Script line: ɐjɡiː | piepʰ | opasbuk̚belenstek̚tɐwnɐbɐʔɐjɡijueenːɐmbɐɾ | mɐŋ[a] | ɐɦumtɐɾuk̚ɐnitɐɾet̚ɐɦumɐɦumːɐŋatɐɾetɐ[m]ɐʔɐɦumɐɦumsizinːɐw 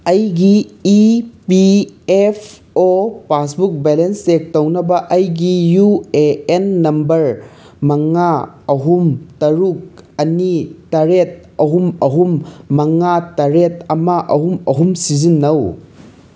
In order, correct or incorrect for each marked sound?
correct, correct

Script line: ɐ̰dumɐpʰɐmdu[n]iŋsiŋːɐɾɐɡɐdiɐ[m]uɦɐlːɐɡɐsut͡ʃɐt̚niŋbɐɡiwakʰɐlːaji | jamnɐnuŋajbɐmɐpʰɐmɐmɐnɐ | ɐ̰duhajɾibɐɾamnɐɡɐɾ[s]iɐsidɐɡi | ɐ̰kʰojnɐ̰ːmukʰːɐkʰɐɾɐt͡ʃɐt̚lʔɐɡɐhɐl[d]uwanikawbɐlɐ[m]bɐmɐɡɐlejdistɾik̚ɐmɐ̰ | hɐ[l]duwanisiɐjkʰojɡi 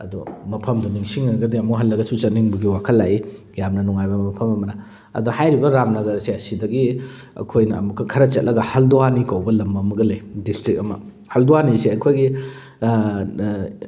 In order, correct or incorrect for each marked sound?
correct, correct, correct, correct, correct, correct

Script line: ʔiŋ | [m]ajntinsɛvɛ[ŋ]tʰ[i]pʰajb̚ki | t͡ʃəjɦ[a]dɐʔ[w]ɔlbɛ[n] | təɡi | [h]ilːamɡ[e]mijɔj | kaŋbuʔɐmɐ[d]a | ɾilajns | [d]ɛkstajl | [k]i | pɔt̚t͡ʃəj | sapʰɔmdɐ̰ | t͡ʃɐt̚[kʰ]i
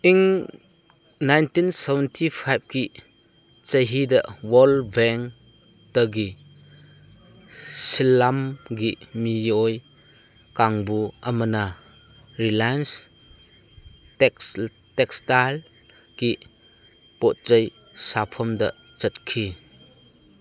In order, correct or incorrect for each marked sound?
incorrect: n, incorrect: n, correct, incorrect: i, correct, incorrect: ŋ, incorrect: s, incorrect: i, incorrect: n, incorrect: t, correct, correct

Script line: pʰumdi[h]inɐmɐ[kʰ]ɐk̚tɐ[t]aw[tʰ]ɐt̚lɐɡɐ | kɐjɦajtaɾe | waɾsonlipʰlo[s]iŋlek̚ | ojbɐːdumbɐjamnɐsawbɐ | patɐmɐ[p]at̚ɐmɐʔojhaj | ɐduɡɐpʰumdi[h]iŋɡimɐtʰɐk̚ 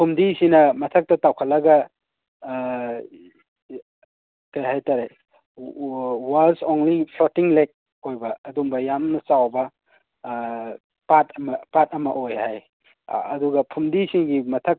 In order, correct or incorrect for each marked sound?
incorrect: s, incorrect: tʰ, correct, incorrect: kʰ, incorrect: t, correct, incorrect: s

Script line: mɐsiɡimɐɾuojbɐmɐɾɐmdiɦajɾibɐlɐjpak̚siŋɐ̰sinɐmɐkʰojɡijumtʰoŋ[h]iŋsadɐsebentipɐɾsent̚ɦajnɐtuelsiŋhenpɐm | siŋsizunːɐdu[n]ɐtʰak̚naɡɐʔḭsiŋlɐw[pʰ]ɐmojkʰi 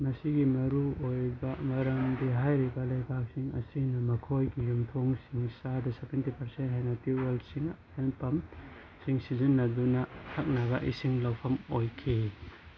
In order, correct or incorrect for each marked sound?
incorrect: s, correct, correct

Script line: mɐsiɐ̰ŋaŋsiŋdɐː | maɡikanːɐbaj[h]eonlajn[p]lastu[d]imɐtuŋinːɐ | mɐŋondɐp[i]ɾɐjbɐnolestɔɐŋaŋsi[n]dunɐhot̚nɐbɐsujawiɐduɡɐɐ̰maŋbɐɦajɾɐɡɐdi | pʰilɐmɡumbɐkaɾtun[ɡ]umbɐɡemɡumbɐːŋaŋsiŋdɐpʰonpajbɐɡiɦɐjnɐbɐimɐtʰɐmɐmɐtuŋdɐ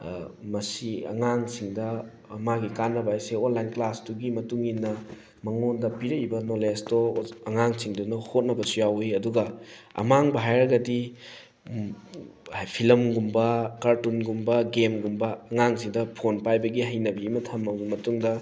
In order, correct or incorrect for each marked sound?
incorrect: s, incorrect: k, incorrect: ɡ, correct, incorrect: ŋ, correct

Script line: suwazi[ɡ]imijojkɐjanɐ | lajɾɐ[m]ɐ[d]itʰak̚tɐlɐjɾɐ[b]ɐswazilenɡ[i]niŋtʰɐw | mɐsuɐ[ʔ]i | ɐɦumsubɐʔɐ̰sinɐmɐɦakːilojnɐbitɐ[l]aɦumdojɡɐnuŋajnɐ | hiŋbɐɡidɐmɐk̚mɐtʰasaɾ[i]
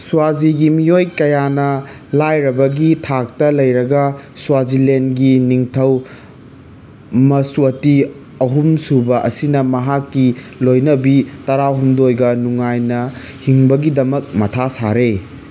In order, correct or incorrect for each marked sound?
correct, incorrect: b, incorrect: ɡ, incorrect: ɡ, correct, incorrect: t, incorrect: ɾ, incorrect: e

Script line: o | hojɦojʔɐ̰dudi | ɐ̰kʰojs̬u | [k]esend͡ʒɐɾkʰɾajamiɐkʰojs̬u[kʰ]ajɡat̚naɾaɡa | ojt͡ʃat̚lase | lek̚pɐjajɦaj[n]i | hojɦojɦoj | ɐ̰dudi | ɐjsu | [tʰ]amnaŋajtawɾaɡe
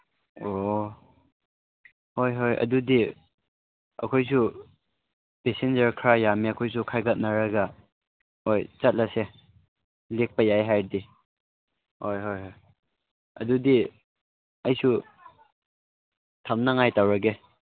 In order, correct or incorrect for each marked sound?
incorrect: p, correct, incorrect: d, correct

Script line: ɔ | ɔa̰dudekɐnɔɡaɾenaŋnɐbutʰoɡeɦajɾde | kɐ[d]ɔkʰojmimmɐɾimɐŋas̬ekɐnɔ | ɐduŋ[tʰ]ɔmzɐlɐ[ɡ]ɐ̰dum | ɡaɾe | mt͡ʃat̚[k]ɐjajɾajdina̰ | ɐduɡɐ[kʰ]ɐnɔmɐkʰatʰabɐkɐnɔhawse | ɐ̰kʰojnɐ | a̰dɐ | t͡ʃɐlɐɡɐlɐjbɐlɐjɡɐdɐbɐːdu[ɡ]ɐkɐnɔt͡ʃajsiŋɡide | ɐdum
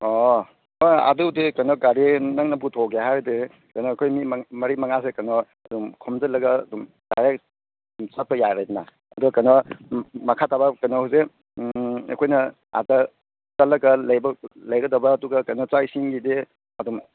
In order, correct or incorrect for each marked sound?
incorrect: n, incorrect: kʰ, correct, incorrect: p, incorrect: k, correct

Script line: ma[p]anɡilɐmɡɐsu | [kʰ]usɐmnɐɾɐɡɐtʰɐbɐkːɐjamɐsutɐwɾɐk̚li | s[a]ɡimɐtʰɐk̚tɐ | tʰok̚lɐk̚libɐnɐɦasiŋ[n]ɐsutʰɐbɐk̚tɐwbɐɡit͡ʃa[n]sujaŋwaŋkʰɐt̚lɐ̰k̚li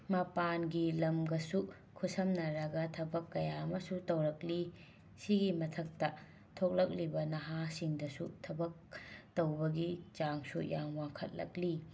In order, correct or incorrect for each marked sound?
correct, correct, incorrect: i, incorrect: d, incorrect: ŋ

